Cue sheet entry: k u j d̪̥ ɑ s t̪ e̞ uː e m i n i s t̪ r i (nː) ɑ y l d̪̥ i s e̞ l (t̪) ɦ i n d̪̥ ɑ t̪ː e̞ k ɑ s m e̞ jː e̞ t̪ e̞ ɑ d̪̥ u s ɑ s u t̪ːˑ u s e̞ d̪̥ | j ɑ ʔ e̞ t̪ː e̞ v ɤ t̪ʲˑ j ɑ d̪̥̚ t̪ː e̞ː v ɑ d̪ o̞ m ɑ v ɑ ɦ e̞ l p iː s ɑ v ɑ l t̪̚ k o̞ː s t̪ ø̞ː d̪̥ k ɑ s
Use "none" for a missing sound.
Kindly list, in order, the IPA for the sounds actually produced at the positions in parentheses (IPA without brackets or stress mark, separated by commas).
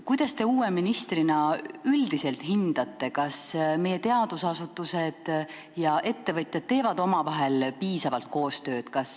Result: n, t̪